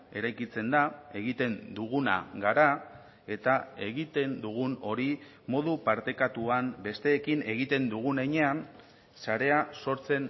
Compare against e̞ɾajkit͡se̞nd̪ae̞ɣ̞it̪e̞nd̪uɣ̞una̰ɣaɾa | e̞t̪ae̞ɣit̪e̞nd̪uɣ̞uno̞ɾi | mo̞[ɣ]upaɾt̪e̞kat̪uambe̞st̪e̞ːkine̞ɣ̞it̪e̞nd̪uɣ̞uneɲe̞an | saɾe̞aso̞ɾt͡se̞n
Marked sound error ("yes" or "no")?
yes